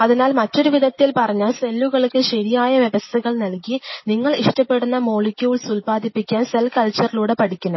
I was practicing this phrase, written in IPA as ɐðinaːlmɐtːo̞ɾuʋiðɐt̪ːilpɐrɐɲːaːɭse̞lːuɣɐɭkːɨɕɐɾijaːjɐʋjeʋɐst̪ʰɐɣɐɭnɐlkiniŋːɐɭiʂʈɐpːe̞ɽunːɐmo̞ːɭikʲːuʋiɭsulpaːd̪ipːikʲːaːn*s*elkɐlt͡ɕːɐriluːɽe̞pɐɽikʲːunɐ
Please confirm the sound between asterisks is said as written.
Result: yes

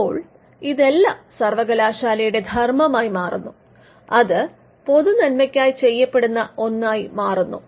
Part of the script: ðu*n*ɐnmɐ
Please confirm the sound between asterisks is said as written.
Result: yes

